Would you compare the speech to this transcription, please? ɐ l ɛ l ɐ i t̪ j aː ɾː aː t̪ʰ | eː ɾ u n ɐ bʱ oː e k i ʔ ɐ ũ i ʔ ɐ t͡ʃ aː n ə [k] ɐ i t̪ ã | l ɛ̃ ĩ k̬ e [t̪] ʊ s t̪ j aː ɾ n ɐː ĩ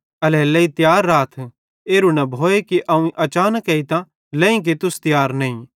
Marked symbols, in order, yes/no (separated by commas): yes, yes